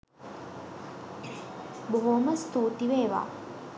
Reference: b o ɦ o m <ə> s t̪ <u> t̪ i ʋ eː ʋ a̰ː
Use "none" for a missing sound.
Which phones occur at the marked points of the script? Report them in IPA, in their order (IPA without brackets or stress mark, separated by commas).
ə, uː